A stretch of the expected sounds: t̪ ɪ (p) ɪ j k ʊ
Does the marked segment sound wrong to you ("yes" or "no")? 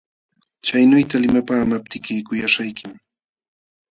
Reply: yes